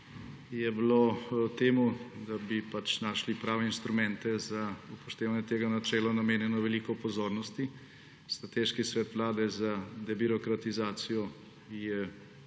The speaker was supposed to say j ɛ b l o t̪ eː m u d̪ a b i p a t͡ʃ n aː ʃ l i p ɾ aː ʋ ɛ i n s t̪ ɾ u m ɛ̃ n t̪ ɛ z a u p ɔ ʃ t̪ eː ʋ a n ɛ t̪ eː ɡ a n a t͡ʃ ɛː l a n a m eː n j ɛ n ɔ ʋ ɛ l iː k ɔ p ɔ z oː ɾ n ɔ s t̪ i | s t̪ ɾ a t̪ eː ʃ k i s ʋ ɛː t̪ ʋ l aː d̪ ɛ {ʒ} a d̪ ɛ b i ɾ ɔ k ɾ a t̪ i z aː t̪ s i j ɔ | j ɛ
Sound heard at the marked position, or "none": z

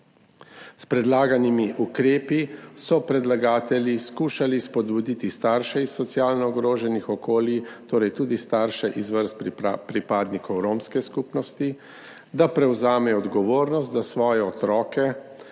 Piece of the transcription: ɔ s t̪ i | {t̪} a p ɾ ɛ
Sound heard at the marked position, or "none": d̪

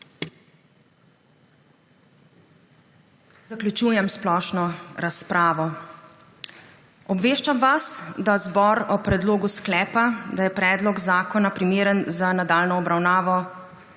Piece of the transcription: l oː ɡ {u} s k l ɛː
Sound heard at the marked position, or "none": u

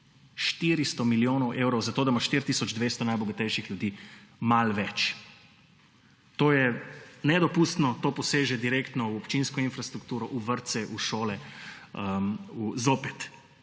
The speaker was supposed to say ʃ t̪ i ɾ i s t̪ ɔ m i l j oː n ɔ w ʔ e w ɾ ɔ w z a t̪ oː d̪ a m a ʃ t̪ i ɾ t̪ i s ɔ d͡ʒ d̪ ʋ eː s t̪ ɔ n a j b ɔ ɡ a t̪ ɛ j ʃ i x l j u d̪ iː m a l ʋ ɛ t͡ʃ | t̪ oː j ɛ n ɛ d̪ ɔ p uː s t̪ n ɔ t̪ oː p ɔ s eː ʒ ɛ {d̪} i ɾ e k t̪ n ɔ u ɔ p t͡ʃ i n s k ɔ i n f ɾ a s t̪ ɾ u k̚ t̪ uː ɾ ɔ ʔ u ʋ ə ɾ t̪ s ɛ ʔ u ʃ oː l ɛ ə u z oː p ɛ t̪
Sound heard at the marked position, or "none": d̪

